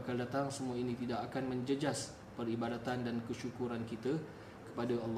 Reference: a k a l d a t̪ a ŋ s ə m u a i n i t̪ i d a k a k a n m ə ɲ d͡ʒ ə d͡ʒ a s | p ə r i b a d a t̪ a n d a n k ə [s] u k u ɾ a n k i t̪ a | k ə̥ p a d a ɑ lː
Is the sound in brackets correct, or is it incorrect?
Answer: incorrect